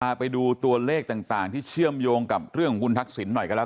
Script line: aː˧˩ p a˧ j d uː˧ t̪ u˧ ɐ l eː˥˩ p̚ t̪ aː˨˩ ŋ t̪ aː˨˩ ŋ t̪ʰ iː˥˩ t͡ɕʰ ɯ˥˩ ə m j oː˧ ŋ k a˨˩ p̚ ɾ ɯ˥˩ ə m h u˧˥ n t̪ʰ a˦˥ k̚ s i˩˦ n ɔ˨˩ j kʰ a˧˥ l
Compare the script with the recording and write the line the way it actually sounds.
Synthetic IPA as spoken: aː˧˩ p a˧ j d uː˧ t̪ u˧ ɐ l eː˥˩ k̚ t̪ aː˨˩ ŋ t̪ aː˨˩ ŋ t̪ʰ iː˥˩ t͡ɕʰ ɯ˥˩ ə m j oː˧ ŋ k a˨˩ p̚ ɾ ɯ˥˩ ə ŋ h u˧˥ n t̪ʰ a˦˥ k̚ s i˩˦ nː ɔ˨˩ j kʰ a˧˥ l